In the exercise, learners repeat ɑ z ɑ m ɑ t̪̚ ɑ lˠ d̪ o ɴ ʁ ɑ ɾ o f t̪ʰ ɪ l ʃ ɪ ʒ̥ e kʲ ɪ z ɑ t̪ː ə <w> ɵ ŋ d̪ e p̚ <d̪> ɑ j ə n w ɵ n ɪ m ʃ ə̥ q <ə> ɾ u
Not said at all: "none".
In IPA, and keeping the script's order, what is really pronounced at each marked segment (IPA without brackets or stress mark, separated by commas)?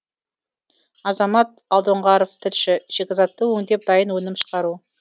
w, d̪, ɑ